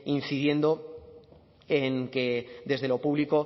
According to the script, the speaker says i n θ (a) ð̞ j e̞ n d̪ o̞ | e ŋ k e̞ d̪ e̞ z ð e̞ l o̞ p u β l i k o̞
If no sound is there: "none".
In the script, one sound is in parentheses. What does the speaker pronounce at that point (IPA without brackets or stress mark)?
i